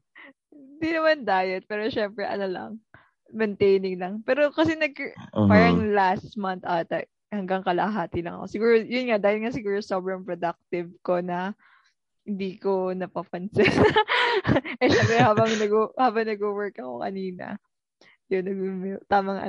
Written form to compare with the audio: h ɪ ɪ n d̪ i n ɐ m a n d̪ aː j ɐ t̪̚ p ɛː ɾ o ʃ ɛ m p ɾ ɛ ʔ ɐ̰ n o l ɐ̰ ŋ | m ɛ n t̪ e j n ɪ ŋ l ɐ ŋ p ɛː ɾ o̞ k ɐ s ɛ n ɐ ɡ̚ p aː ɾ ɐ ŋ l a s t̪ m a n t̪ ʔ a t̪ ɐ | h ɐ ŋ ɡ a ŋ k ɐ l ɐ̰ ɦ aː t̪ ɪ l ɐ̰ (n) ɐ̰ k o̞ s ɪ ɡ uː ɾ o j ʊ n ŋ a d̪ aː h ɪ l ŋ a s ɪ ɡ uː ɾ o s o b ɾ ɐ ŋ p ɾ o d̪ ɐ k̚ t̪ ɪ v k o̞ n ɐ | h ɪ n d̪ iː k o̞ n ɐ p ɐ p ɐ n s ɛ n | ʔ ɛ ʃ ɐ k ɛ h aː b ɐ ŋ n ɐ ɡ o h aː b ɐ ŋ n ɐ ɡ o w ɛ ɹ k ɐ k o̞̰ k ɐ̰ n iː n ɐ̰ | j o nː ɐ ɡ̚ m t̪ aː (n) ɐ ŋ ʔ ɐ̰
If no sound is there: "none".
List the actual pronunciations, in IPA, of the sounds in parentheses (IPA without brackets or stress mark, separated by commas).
ŋ, m